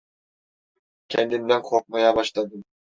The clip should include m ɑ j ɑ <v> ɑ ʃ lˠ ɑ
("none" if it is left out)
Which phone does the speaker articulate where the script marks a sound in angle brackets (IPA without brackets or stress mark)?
b